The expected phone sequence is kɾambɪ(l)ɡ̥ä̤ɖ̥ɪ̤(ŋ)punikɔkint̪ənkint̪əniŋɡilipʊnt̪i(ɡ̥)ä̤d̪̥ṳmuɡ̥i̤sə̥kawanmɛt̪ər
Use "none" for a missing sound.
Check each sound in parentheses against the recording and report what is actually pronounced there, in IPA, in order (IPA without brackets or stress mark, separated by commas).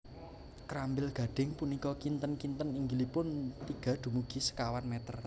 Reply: l, ŋ, ɡ̥